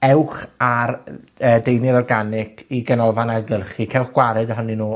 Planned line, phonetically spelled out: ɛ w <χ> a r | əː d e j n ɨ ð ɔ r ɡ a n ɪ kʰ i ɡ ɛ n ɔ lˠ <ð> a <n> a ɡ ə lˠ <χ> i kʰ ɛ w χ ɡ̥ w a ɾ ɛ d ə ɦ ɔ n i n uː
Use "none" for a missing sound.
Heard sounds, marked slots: χ, v, n, χ

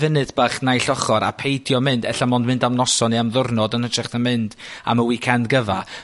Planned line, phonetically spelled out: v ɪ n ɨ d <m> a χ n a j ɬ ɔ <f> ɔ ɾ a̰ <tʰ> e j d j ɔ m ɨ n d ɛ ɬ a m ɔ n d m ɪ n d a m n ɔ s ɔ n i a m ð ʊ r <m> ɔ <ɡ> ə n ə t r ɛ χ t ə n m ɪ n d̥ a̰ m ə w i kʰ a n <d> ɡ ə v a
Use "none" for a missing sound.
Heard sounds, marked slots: b, χ, pʰ, n, d, d

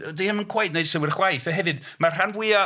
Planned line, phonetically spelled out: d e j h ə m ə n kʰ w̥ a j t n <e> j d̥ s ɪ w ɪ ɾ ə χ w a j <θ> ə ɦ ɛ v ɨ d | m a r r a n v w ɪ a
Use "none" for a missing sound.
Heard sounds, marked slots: e, θ

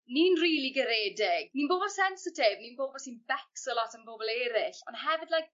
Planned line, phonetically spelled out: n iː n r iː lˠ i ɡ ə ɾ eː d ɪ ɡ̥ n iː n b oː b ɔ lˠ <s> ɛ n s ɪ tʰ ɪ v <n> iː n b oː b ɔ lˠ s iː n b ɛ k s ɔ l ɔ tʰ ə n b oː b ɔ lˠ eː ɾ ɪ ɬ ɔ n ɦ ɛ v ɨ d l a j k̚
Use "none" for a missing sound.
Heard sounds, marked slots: s, n

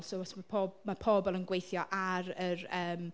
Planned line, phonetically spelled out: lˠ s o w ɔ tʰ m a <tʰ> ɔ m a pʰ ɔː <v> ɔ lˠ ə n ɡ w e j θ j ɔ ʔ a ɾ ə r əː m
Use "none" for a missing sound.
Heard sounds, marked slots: pʰ, b

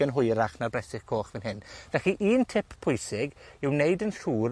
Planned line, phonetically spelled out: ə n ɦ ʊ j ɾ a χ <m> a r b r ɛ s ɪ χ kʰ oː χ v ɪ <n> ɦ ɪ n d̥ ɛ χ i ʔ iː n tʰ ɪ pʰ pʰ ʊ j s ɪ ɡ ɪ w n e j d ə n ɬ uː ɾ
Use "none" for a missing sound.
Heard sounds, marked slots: n, n

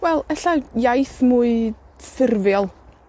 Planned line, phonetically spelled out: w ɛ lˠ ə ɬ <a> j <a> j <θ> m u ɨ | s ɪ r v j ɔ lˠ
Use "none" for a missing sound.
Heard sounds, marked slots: a, a, θ

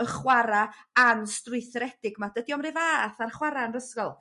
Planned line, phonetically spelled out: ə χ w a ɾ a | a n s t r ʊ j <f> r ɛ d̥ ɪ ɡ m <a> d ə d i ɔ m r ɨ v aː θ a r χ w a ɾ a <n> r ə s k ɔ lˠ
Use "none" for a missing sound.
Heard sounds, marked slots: θ, a, n

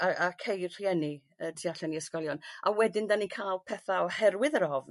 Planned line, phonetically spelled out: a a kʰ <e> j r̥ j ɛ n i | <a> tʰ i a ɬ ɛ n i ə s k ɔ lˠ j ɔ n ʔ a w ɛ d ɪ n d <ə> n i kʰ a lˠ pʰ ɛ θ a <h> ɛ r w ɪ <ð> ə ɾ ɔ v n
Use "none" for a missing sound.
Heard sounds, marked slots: e, ə, a, h, ð

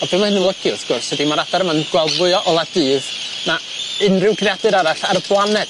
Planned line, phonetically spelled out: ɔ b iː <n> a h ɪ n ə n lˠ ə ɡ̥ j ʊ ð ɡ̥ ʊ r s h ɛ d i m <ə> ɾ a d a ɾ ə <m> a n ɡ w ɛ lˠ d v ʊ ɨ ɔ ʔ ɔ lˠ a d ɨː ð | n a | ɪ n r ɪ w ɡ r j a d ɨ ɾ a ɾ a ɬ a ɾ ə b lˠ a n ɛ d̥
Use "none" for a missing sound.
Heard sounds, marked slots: m, a, m

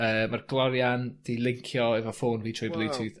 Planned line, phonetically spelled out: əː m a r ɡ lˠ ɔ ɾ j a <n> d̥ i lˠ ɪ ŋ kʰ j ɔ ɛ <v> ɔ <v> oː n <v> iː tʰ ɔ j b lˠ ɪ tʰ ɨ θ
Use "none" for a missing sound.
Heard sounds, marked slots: n, v, f, v

